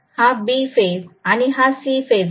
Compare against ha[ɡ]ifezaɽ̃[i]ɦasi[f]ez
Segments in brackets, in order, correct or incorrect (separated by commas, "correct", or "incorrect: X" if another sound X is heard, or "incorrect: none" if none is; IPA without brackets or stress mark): incorrect: b, correct, correct